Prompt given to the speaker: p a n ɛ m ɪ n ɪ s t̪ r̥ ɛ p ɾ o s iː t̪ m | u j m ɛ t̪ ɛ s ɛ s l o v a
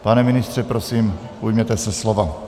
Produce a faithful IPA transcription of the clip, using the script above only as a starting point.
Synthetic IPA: p a n ɛ m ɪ n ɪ s t̪ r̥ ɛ p ɾ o s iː m | u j m ɛ t̪ ɛ s ɛ s l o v a